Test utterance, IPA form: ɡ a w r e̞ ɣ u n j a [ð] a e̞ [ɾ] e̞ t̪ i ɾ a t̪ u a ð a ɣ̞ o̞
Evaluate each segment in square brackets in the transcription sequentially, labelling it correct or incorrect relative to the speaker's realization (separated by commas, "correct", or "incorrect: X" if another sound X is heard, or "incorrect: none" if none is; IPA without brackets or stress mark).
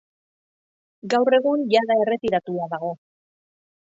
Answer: correct, incorrect: r